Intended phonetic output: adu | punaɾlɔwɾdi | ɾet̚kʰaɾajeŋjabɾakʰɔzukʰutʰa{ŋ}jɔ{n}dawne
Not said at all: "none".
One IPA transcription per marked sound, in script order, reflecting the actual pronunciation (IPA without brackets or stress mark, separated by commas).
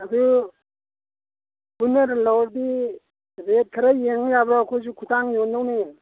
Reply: ŋ, n